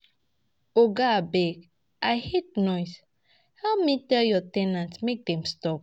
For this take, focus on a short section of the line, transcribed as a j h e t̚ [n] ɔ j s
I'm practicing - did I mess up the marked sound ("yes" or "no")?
no